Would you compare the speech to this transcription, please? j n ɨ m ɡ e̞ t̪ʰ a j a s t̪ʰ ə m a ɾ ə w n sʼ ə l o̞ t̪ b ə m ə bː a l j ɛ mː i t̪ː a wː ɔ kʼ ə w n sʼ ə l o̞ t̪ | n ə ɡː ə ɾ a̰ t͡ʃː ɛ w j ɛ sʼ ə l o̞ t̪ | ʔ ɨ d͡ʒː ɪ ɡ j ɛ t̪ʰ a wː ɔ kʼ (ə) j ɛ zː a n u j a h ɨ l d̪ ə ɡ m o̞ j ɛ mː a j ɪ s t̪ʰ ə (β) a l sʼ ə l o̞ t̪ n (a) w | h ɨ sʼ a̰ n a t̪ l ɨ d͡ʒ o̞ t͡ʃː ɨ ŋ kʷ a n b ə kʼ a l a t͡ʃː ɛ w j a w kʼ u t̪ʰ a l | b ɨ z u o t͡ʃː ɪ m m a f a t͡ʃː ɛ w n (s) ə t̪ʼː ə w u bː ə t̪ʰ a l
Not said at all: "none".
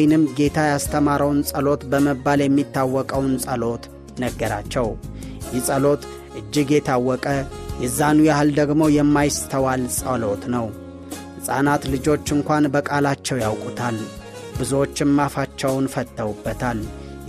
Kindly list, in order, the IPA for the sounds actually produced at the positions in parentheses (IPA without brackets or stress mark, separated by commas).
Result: ə, w, ə, f